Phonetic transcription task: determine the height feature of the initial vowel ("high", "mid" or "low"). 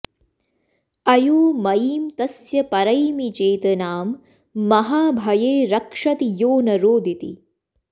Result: low